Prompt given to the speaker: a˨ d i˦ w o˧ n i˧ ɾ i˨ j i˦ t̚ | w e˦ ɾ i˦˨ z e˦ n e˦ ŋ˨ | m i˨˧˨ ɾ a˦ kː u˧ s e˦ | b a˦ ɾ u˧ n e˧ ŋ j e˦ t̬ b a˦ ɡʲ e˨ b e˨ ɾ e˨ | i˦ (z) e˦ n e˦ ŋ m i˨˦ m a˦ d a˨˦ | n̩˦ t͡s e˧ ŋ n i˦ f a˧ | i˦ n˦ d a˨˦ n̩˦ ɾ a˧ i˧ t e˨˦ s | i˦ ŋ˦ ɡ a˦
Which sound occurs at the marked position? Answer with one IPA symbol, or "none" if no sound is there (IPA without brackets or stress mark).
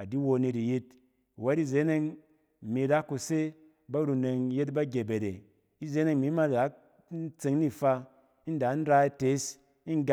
z